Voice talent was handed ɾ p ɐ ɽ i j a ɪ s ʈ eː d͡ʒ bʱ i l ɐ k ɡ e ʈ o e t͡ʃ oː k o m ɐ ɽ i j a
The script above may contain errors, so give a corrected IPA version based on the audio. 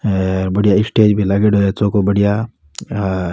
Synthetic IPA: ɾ b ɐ ɽ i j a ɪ s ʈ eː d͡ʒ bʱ i l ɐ ɡ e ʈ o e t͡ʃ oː k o b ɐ ɽ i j a